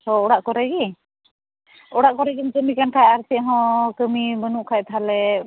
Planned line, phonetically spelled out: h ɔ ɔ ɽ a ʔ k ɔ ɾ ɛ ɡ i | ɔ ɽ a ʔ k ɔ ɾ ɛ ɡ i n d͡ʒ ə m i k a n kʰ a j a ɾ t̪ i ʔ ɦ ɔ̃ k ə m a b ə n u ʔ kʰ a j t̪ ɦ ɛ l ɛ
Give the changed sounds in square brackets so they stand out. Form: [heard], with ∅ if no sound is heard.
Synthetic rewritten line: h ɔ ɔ ɽ a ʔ k ɔ ɾ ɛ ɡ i | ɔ ɽ a ʔ k ɔ ɾ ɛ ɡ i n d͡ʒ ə m i k a n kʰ a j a ɾ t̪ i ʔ ɦ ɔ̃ k ə m [i] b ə n u ʔ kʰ a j t̪ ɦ [a] l ɛ